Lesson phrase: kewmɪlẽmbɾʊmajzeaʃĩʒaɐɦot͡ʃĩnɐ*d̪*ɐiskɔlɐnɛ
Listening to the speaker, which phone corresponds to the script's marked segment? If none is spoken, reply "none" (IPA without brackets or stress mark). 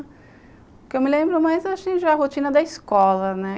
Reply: d̪